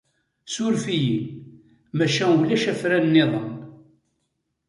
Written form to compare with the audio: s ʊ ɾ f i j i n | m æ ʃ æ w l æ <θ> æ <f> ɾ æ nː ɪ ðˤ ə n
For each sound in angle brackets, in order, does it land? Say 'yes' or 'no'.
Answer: no, yes

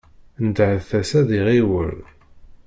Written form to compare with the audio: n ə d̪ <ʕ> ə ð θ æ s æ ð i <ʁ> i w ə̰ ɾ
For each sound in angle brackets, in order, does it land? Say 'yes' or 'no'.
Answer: yes, yes

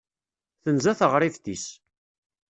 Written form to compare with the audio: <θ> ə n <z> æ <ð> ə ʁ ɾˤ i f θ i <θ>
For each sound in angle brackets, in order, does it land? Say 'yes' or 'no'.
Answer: yes, yes, no, no

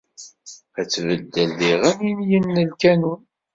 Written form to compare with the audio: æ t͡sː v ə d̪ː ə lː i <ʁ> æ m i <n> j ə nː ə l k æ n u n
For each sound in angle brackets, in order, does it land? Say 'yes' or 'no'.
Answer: yes, yes

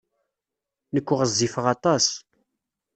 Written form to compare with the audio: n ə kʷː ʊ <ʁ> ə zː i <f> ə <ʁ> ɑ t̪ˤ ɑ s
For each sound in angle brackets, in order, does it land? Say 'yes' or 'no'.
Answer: yes, yes, yes

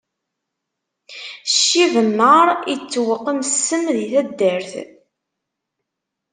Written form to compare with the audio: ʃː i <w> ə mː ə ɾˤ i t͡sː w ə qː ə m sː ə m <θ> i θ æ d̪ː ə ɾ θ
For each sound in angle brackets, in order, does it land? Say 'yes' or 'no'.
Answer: no, no

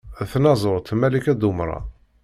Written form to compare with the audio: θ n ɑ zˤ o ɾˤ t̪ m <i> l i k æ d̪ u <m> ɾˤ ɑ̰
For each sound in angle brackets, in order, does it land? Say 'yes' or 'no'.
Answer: no, yes

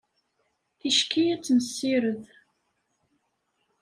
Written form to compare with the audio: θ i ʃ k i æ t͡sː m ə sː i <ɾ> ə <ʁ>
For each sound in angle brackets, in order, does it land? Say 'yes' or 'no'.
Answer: yes, no

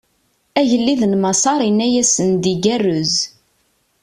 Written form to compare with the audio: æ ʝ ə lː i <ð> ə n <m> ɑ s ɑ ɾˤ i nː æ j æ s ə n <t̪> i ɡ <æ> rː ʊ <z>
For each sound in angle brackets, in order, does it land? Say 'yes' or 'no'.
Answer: yes, yes, no, yes, yes

